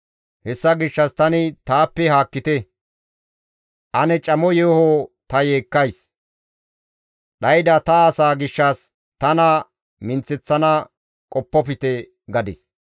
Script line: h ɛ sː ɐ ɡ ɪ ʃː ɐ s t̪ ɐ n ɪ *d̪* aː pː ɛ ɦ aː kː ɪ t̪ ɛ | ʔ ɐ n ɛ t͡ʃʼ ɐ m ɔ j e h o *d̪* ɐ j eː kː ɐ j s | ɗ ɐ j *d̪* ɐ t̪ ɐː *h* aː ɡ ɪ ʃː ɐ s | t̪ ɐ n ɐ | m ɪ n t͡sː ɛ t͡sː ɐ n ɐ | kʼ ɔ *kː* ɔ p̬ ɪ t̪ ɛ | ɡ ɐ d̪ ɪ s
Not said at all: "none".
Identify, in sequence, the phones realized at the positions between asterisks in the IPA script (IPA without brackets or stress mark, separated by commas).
t̪, t̪, d̪, s, pː